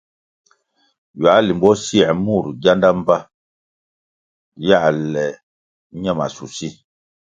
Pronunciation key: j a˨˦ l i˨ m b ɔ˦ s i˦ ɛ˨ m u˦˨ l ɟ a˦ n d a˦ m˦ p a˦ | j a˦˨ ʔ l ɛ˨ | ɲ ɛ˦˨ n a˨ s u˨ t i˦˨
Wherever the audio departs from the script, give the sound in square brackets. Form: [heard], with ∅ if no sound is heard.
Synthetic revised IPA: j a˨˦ l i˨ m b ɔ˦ s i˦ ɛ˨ m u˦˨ [ɾ] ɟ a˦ n d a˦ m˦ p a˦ | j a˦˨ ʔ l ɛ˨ | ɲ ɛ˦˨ [m] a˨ s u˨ [s] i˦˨